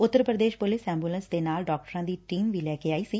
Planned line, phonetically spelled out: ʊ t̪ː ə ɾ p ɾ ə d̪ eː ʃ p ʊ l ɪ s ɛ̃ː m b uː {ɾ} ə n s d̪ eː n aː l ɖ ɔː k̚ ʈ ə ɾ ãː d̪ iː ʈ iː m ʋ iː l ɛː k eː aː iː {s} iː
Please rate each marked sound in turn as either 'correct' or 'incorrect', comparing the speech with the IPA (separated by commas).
incorrect, correct